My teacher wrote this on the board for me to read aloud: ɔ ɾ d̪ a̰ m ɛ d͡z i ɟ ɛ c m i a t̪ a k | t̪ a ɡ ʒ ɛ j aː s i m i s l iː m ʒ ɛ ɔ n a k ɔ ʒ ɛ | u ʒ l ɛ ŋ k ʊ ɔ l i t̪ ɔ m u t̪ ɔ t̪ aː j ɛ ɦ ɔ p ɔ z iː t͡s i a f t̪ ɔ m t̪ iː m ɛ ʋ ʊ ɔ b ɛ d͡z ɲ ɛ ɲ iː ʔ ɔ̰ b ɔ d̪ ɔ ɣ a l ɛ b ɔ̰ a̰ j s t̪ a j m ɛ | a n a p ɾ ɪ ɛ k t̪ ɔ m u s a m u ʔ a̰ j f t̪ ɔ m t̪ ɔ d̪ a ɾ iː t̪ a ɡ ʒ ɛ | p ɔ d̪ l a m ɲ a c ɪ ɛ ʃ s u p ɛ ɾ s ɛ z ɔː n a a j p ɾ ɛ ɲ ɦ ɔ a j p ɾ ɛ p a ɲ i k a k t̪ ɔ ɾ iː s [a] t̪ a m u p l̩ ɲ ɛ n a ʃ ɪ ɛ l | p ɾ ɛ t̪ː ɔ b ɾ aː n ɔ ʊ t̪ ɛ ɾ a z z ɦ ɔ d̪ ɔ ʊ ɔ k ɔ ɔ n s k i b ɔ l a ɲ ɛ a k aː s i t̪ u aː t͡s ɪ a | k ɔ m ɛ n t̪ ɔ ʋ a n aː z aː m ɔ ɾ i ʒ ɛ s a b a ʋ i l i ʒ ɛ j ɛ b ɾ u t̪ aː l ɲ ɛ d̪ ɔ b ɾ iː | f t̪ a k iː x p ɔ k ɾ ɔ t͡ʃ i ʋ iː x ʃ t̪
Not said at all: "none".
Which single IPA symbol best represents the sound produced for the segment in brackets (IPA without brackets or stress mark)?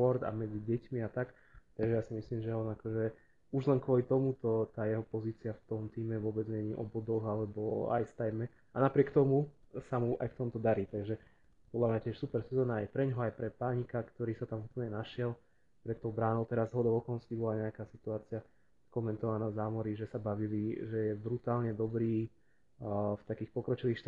a